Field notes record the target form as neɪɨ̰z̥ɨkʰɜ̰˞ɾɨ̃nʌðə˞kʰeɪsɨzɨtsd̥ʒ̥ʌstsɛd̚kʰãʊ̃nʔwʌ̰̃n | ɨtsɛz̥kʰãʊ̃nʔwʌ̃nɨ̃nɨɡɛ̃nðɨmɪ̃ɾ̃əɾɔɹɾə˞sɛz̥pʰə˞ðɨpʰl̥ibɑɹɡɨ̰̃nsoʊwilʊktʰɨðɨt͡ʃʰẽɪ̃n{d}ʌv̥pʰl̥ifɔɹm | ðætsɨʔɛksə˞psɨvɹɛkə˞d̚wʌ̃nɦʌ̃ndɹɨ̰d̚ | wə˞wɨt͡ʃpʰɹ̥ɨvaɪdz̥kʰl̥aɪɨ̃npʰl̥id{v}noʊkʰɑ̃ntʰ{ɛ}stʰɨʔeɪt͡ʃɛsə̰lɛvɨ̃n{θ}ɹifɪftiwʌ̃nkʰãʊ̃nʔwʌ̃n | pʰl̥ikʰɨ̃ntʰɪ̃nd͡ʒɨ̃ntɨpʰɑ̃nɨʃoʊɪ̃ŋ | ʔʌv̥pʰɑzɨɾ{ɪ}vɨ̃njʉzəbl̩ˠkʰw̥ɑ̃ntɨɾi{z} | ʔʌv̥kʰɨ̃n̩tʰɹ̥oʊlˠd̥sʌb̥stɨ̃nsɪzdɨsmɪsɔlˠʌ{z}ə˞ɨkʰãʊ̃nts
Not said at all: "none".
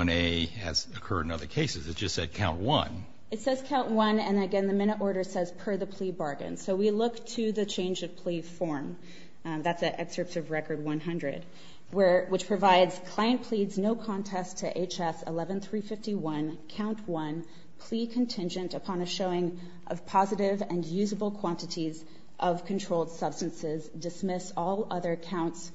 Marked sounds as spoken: d͡ʒ, z, ɛ, θ, ɪ, z, ð

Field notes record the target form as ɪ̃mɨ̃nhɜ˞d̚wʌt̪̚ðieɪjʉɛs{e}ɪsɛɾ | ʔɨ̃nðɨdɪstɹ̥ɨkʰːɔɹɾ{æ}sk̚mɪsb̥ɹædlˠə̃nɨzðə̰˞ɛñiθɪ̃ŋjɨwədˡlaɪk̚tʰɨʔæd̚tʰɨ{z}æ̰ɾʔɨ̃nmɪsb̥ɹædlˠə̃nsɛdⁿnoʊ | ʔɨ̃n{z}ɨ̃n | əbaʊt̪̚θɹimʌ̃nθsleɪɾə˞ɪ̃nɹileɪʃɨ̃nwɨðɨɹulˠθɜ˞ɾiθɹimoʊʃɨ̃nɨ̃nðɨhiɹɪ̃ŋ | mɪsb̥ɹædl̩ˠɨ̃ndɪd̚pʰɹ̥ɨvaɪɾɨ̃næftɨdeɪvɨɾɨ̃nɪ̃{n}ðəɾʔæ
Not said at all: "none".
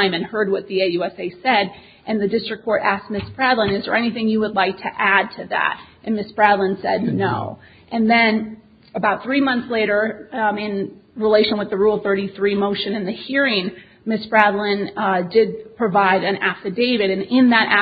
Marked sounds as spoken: e, æ, ð, ð, n

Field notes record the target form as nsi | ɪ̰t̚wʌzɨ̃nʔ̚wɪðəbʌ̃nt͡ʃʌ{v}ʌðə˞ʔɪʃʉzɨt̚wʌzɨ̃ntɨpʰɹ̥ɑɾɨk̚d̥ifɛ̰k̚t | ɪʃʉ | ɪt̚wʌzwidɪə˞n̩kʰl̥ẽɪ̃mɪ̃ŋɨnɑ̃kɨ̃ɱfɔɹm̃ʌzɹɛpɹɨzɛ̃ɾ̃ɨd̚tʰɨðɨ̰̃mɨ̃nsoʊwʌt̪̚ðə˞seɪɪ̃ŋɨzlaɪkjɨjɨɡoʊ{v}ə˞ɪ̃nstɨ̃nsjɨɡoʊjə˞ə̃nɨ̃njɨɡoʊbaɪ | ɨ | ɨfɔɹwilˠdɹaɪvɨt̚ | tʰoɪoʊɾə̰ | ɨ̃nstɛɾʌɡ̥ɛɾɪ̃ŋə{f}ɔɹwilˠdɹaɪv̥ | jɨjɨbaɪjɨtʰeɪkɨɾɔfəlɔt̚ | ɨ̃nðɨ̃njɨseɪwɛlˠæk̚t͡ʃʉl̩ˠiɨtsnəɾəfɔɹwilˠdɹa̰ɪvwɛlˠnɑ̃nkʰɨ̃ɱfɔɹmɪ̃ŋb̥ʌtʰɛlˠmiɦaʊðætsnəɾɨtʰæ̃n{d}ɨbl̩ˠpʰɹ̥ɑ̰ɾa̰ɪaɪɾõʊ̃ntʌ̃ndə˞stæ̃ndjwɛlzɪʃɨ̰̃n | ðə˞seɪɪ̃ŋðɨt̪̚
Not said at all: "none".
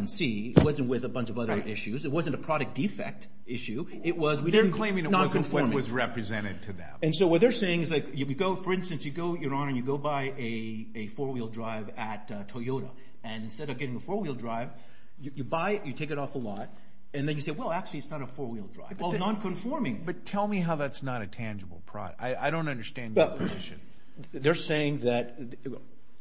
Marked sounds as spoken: v, f, f, d͡ʒ

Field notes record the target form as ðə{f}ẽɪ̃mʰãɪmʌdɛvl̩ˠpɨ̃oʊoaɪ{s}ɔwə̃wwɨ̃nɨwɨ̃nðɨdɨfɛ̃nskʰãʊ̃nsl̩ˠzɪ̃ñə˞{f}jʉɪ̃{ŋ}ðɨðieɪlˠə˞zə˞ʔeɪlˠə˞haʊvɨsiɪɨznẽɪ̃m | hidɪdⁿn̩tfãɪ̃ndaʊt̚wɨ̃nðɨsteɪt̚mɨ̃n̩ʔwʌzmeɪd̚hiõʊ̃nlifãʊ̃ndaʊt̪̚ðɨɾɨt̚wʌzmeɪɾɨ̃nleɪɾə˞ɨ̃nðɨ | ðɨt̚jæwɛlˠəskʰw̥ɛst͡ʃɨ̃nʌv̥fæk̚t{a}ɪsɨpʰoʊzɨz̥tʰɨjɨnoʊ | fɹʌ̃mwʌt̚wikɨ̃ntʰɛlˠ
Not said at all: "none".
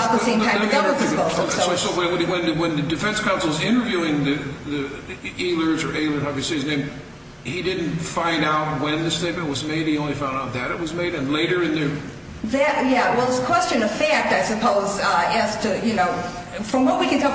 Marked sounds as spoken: s, s, v, ŋ, a

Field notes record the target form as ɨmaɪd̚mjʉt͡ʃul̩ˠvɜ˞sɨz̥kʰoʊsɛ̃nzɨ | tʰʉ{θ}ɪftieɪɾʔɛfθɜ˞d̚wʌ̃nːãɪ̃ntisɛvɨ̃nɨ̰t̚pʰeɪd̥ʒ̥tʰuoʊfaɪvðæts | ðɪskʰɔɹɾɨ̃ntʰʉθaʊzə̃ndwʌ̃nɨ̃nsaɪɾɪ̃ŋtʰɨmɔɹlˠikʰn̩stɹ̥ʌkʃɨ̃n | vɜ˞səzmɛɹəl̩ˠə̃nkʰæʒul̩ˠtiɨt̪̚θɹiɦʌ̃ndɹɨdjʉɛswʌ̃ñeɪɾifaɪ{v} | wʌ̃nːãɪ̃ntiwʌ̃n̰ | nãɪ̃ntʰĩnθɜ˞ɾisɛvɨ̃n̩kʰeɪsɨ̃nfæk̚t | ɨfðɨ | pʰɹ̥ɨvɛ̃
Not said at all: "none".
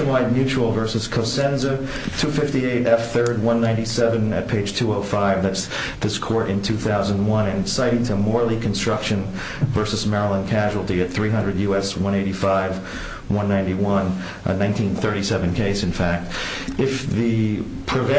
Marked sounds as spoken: f, v

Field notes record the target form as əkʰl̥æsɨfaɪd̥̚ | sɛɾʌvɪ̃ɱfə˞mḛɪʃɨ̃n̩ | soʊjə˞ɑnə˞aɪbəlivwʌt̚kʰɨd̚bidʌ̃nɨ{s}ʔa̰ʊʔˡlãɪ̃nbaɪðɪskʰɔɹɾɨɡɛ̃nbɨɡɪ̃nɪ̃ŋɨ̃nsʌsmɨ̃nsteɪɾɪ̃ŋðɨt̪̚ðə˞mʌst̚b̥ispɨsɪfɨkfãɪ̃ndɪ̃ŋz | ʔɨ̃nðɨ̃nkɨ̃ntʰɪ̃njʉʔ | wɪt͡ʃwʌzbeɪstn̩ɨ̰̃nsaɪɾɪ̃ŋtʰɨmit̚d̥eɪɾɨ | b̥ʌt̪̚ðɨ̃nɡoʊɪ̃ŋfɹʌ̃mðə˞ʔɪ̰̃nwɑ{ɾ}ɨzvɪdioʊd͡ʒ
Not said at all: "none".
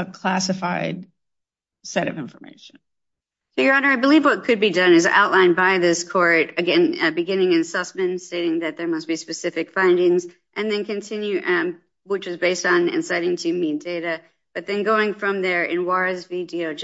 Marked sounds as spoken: z, ɹ

